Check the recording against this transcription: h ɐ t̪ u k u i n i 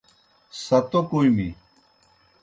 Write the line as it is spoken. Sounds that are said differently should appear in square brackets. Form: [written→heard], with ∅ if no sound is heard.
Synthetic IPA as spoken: [h→s] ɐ t̪ [u→o] k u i [n→m] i